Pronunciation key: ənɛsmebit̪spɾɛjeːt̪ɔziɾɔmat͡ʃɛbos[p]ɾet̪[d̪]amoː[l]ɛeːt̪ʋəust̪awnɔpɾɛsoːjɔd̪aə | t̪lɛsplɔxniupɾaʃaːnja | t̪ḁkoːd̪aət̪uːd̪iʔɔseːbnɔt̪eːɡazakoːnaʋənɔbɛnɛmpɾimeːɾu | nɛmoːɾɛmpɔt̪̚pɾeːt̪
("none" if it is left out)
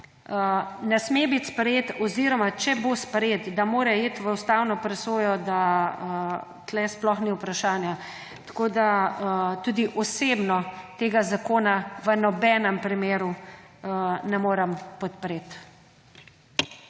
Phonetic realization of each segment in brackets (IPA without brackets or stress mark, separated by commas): p, d̪, ɾ